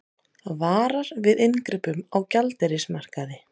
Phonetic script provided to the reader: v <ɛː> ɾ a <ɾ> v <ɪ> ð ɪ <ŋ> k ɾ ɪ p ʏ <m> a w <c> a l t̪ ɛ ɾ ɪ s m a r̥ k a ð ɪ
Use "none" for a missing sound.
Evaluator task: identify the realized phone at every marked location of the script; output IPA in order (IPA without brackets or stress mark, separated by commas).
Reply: aː, ɾ, ɪ, n, m, c